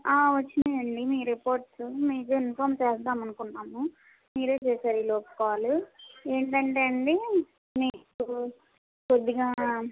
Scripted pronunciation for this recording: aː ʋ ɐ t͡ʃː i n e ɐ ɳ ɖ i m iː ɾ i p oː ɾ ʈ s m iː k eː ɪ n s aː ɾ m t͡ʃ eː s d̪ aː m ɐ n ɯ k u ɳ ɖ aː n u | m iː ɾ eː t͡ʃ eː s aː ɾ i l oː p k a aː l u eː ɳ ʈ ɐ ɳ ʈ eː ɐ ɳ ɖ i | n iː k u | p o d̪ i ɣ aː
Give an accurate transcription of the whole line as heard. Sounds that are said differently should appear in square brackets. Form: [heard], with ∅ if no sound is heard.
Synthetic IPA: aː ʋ ɐ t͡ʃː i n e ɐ ɳ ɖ i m iː ɾ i p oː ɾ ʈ s m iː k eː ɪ n [f] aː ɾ m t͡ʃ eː s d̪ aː m ɐ n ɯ k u ɳ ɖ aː [m] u | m iː ɾ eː t͡ʃ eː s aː ɾ i l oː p k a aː l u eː ɳ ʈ ɐ ɳ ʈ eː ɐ ɳ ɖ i | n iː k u | p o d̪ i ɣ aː